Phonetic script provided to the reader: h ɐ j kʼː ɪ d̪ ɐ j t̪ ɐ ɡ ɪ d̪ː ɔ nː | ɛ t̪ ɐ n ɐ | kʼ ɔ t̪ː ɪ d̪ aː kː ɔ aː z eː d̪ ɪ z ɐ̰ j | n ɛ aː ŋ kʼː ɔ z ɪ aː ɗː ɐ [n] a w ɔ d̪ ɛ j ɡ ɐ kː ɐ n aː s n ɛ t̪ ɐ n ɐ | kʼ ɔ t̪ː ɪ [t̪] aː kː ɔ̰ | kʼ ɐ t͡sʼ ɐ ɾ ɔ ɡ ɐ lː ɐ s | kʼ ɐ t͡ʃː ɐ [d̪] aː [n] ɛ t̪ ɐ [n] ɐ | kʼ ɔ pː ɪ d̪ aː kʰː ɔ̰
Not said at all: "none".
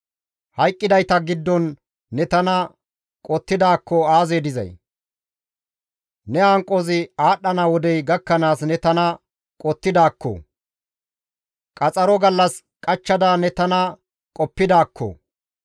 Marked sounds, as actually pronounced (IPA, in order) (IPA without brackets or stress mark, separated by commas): n, d̪, d̪, n, n